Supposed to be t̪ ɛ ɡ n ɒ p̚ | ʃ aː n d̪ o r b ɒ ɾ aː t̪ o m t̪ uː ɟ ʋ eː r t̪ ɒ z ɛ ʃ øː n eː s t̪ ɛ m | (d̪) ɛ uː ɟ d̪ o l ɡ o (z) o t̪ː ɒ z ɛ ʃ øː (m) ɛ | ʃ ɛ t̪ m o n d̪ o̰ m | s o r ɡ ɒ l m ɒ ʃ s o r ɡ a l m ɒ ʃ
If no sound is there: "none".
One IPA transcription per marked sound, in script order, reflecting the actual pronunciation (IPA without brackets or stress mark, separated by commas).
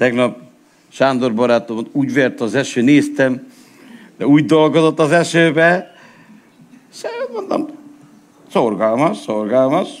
d̪, z, b